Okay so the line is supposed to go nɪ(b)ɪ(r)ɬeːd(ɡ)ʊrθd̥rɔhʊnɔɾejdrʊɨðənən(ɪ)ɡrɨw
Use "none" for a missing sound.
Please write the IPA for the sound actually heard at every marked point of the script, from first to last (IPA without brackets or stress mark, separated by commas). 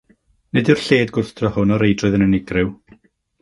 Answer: d, r, ɡ, ɪ